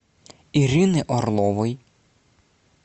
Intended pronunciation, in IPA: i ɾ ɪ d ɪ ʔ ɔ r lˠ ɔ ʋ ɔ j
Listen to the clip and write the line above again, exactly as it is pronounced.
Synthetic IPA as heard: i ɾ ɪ n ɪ ʔ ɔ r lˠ ɔ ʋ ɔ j

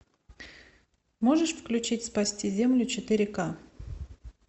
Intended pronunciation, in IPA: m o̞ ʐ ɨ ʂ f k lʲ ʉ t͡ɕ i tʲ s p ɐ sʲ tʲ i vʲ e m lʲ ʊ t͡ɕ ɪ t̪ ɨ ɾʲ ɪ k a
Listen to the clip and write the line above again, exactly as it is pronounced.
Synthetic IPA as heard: m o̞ ʐ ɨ ʂ f k lʲ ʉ t͡ɕ i tʲ s p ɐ sʲ tʲ i zʲ e m lʲ ʊ t͡ɕ ɪ t̪ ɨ ɾʲ ɪ k a

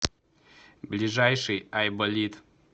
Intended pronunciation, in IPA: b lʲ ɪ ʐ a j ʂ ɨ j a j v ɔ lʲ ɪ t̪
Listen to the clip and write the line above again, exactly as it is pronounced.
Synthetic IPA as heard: b lʲ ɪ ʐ a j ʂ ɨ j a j b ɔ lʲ i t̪

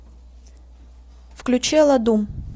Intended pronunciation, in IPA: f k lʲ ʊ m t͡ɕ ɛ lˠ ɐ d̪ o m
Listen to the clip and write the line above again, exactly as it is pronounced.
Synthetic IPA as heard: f k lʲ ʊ t͡ɕ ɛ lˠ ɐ d̪ u m

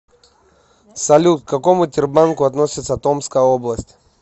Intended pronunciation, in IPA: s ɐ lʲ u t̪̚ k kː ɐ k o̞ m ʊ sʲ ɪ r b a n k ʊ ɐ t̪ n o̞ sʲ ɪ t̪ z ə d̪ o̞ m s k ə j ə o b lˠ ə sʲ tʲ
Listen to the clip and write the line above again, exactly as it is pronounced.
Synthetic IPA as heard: s ɐ lʲ u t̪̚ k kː ɐ k o̞ m ʊ tʲ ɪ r b a n k ʊ ɐ t̪ n o̞ sʲ ɪ t̪ s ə t̪ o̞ m s k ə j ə o b lˠ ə sʲ tʲ

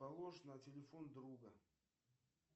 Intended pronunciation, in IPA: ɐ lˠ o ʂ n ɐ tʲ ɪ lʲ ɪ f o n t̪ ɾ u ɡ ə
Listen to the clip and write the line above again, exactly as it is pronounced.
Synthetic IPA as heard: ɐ lˠ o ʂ n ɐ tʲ ɪ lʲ ɪ f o n d̪ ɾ u ɡ ə

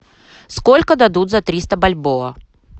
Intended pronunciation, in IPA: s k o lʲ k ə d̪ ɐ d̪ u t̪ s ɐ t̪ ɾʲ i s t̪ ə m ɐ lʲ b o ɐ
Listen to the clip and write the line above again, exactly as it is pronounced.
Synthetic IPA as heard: s k o lʲ k ə d̪ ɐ d̪ u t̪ z ɐ t̪ ɾʲ i s t̪ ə b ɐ lʲ b o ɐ

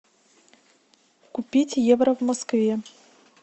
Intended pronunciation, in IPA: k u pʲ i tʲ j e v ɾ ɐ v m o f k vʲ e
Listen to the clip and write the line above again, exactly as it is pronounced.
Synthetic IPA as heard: k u pʲ i tʲ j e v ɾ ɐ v m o s k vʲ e

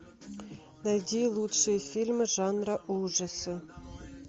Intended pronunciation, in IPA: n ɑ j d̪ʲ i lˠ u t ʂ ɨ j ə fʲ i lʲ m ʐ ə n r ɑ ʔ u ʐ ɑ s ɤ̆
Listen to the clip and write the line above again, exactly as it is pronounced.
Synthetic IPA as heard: n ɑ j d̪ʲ i lˠ u t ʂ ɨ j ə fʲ i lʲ m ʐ ɑ n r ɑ ʔ u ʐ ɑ s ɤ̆

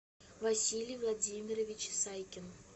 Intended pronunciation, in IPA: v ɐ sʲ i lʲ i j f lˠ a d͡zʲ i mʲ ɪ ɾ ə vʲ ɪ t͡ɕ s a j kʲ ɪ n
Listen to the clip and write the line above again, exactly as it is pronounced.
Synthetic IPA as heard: v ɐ sʲ i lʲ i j v lˠ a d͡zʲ i mʲ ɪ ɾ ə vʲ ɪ t͡ɕ s a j kʲ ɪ n

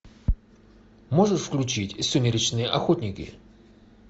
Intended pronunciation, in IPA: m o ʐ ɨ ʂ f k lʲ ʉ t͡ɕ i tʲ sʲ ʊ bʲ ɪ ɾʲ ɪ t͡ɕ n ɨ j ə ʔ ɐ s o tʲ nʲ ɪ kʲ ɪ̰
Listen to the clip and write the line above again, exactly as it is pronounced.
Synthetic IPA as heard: m o ʐ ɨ ʂ f k lʲ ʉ t͡ɕ i tʲ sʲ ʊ mʲ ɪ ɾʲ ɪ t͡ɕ n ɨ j ə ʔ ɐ x o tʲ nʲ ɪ kʲ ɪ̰

